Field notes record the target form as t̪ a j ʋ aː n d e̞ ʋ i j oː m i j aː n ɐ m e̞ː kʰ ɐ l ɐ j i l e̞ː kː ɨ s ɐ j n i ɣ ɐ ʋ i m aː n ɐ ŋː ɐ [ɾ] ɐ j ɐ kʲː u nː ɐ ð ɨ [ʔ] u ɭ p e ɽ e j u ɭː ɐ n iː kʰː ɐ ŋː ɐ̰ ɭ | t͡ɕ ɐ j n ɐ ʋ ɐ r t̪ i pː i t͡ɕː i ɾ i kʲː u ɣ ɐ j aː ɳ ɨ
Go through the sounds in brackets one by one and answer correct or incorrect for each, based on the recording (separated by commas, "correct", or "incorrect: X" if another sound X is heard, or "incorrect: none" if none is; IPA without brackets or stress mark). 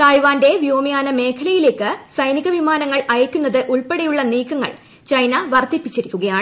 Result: incorrect: ɭ, correct